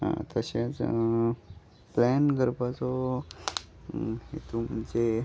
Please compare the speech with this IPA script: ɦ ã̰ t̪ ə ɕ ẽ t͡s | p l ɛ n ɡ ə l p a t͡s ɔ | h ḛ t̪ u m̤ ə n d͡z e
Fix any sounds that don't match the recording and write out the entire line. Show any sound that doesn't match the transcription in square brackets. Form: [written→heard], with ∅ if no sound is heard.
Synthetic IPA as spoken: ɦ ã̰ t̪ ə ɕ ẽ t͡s | p l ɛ n ɡ ə [l→ɾ] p a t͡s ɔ | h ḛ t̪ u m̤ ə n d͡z e